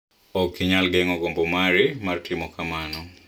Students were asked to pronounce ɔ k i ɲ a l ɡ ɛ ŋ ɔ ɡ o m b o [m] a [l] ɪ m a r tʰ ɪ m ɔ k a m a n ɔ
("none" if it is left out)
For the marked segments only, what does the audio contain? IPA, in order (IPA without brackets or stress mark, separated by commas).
m, ɾ